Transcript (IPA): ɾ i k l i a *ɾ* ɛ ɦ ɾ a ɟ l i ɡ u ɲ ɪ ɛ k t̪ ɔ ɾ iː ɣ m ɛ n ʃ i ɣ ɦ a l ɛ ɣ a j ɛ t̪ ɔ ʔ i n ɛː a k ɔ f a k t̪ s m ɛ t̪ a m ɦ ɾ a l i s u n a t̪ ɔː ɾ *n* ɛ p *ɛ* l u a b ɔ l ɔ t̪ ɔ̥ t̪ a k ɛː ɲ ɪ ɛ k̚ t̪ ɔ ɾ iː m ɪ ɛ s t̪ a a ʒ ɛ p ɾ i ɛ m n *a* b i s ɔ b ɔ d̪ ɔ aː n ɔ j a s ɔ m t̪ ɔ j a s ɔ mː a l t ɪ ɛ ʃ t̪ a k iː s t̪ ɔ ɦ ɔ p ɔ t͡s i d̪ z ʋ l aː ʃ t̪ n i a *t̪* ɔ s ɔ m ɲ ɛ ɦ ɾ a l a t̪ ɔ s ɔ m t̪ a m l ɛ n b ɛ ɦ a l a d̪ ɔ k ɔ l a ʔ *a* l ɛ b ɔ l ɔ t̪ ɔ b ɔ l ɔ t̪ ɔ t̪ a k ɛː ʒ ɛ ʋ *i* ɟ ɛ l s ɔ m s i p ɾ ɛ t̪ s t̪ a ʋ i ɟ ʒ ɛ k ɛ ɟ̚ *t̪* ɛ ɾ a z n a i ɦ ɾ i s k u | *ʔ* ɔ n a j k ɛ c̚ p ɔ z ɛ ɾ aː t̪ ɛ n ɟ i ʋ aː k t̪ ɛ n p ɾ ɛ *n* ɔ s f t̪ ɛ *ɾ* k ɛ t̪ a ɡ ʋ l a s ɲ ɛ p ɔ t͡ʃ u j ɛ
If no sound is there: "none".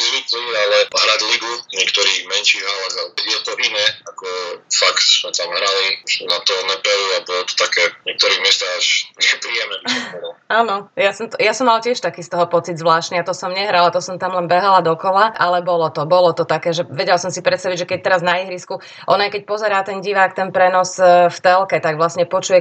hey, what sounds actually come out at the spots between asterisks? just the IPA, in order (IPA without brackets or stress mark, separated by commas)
l, n, ɛ, ɛ, t̪, a, ɛ, t̪, ʔ, n, l